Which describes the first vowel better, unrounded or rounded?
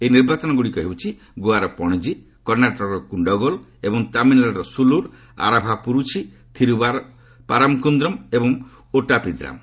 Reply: unrounded